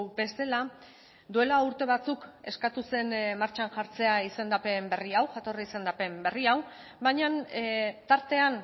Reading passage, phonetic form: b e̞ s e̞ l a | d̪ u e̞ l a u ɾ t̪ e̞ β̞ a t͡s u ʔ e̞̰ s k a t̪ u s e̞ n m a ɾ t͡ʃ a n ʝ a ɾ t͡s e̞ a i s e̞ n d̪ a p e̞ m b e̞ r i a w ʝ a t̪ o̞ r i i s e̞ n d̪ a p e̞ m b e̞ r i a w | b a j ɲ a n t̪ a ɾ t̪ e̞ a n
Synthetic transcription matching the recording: b e̞ s e̞ l a | d̪ u e̞ l a u ɾ t̪ e̞ β̞ a t͡s u k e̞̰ s k a t̪ u s e̞ n m a ɾ t͡ʃ a n ʝ a ɾ t͡s e̞ a i s e̞ n d̪ a p e̞ m b e̞ r i a w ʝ a t̪ o̞ r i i s e̞ n d̪ a p e̞ m b e̞ r i a w | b a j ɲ a n t̪ a ɾ t̪ e̞ a n